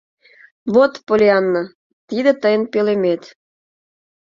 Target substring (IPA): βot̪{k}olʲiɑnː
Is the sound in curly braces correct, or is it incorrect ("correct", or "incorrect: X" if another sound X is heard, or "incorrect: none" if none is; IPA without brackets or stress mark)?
incorrect: p